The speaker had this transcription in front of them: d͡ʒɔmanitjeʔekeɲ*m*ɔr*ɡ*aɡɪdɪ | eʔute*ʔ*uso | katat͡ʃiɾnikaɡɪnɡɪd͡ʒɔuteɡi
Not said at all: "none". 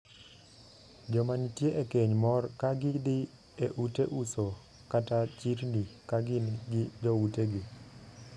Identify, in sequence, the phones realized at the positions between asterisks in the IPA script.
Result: m, k, ʔ

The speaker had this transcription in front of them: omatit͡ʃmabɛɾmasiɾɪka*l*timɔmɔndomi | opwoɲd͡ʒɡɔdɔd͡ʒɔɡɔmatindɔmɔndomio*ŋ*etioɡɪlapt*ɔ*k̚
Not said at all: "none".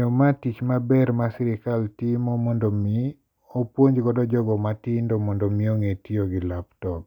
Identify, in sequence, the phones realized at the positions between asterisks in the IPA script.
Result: l, ŋ, ɔ

